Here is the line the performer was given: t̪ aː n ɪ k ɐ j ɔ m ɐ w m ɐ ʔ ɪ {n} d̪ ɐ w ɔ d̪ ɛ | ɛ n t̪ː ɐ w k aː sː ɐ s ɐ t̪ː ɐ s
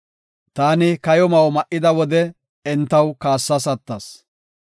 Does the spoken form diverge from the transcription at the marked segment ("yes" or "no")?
yes